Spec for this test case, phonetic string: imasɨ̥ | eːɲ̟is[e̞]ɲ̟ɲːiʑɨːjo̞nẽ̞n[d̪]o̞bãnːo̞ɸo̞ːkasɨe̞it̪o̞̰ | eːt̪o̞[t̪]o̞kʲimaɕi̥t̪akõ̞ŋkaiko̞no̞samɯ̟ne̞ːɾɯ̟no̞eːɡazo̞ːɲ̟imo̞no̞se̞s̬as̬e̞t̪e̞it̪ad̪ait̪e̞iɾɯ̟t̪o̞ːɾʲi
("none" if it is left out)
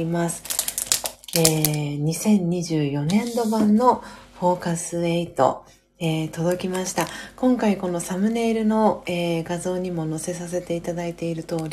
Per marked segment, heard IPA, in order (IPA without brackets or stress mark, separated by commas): ẽ̞, d̪, d̪